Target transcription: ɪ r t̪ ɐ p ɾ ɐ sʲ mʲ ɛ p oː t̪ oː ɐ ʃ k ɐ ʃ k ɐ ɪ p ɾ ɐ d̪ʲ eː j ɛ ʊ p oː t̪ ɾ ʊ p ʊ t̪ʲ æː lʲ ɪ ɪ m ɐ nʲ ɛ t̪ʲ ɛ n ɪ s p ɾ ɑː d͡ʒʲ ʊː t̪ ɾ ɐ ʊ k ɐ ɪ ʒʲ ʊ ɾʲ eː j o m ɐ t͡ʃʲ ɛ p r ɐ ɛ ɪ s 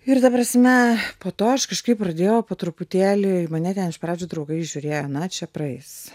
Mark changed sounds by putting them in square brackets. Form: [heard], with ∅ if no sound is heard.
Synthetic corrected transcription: ɪ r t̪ ɐ p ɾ ɐ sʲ mʲ ɛ p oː t̪ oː ɐ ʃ k ɐ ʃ k ɐ ɪ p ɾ ɐ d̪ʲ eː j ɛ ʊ p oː t̪ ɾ ʊ p ʊ t̪ʲ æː lʲ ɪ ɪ m ɐ nʲ ɛ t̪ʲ ɛ n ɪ [ʃ] p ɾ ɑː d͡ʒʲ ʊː [d̪] ɾ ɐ ʊ [ɡ] ɐ ɪ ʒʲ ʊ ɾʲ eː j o [n] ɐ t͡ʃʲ ɛ p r ɐ ɛ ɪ s